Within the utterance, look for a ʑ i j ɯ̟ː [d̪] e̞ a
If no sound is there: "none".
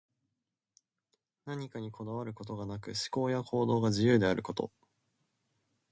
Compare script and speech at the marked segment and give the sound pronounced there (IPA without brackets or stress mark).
d̪